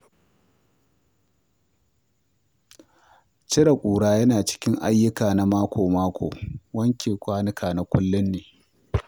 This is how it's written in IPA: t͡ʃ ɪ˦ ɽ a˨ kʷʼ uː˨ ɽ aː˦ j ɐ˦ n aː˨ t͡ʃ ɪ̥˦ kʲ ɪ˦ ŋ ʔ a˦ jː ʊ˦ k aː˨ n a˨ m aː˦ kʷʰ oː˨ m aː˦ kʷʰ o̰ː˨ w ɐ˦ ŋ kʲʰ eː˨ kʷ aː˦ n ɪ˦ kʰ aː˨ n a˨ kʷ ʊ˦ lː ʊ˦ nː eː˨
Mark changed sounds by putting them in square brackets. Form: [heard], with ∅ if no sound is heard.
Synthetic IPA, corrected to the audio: t͡ʃ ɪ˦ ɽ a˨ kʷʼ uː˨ ɽ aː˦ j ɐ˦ n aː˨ t͡ʃ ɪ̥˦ kʲ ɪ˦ ŋ ʔ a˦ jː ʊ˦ k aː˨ n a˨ m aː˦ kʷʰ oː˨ m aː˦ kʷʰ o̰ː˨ w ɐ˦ ŋ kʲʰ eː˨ kʷ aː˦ n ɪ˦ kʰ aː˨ n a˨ kʷ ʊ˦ lː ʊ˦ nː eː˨